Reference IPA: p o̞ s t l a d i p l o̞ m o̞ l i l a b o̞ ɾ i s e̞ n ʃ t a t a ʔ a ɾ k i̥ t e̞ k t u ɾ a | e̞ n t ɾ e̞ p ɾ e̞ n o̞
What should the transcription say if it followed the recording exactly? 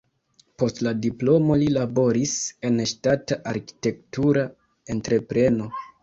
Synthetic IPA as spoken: p o̞ s t l a d i p l o̞ m o̞ l i l a b o̞ ɾ i s e̞ n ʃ t a t a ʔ a ɾ k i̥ t e̞ k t u ɾ a | e̞ n t ɾ e̞ p ɾ e̞ n o̞